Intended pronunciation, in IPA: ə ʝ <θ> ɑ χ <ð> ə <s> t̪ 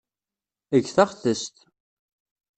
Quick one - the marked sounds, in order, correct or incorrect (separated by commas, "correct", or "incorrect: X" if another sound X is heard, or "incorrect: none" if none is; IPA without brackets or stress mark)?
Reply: correct, incorrect: θ, correct